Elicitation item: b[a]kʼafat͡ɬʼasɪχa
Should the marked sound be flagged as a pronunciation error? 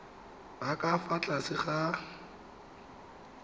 no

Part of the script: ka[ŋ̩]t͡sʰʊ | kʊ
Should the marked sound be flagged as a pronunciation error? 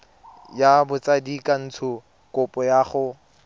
yes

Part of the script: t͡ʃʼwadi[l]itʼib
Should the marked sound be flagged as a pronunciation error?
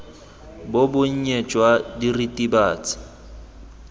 yes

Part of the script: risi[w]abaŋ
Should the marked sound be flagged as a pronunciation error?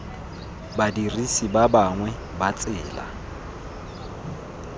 yes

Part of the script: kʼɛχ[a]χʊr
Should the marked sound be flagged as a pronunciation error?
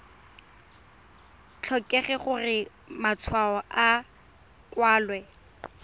yes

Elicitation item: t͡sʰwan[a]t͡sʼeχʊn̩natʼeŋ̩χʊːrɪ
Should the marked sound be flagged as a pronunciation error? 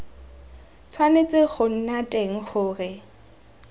yes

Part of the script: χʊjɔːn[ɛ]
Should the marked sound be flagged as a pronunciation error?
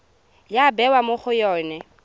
no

